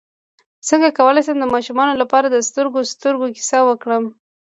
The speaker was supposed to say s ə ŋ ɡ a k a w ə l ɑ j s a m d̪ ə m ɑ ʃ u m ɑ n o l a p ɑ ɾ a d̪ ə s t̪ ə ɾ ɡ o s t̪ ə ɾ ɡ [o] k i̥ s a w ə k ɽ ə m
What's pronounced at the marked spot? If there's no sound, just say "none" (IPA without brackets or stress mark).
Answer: o